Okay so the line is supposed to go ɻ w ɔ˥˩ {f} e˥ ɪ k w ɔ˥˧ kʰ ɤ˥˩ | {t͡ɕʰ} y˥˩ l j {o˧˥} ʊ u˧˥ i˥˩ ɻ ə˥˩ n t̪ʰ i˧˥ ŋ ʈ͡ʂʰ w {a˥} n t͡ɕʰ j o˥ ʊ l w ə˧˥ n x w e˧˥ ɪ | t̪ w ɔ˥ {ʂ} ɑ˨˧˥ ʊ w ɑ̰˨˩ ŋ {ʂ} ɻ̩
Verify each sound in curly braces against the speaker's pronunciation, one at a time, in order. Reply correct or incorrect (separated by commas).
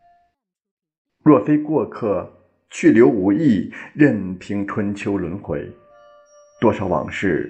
correct, correct, correct, incorrect, correct, correct